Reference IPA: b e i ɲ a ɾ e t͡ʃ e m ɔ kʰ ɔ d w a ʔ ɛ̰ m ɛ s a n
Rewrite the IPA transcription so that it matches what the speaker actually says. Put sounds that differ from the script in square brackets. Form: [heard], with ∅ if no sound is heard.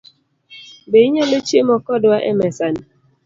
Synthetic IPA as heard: b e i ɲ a [l] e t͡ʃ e m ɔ [k] ɔ d w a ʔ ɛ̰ m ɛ s a n

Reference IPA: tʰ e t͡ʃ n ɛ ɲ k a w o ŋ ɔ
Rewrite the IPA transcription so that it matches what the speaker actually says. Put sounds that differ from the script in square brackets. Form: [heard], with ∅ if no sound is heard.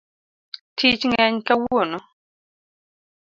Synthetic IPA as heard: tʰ [i] t͡ʃ [ŋ] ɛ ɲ k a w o [n] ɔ

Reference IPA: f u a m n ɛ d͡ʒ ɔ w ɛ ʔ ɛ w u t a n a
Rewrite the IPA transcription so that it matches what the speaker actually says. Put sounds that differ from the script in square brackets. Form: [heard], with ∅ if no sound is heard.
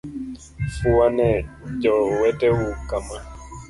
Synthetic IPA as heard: f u a [∅] n ɛ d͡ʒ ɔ w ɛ [t] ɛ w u [k] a [m] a

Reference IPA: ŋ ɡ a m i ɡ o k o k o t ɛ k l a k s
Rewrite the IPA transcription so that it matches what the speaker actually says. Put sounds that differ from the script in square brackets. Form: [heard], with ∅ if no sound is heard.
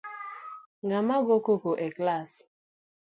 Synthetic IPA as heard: ŋ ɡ a m [a] ɡ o k o k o [ʔ] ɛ k l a [∅] s

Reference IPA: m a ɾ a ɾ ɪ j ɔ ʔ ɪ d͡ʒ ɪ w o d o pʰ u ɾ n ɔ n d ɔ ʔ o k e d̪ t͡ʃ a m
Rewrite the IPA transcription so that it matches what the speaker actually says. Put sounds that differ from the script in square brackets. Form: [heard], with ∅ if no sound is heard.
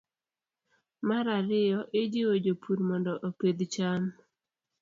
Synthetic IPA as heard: m a ɾ a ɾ ɪ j ɔ ʔ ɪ d͡ʒ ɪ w o [d͡ʒ] o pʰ u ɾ [m] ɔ n d ɔ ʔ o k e d̪ t͡ʃ a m

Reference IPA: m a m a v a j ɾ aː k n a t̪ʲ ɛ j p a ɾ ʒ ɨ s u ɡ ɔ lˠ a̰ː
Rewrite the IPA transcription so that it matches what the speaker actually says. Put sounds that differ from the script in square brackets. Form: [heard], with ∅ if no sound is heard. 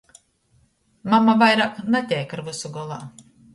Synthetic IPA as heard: m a m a v a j ɾ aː k n a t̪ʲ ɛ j [k] a ɾ [v] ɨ s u ɡ ɔ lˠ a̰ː

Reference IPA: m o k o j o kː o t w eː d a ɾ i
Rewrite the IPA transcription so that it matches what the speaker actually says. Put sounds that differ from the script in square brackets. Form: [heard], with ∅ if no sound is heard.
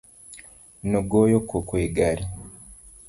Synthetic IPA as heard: [n] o [ɡ] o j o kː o [k] w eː [ɡ] a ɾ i

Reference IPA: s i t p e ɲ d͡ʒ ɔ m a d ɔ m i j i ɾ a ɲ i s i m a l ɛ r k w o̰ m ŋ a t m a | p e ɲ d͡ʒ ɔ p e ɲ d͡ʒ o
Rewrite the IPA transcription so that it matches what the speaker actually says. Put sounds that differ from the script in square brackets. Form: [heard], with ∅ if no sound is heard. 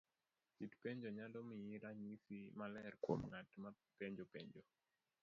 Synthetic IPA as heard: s i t p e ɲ d͡ʒ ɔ [ɲ] a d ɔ m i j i ɾ a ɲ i s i m a l ɛ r k w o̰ m ŋ a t m a | p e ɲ d͡ʒ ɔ p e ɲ d͡ʒ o

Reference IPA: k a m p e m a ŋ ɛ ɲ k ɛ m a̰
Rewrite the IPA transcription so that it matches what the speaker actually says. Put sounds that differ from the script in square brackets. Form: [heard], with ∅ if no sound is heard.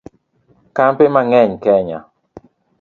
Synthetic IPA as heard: k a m p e m a ŋ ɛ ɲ k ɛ [ɲ] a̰

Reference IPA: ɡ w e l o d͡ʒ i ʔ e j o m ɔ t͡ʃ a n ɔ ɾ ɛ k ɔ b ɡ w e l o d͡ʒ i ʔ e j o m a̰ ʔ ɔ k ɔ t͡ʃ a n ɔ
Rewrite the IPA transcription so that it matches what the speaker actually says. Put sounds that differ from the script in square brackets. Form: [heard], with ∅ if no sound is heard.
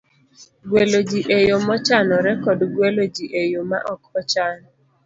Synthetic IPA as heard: ɡ w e l o d͡ʒ i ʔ e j o m ɔ t͡ʃ a n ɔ ɾ ɛ k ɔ [d] ɡ w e l o d͡ʒ i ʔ e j o m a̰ ʔ ɔ k ɔ t͡ʃ a n ɔ

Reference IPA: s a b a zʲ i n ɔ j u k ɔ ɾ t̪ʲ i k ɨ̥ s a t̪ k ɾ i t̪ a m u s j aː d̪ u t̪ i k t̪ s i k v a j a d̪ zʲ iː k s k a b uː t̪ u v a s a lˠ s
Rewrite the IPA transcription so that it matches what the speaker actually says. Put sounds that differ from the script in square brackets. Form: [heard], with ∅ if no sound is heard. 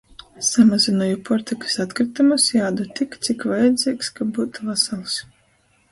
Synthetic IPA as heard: s a [m] a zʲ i n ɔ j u [p] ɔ ɾ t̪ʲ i k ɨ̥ s a t̪ k ɾ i t̪ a m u s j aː d̪ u t̪ i k t̪ s i k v a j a d̪ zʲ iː k s k a b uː t̪ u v a s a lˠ s

